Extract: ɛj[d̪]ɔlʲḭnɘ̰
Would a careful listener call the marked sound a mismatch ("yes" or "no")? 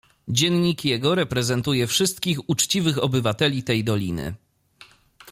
no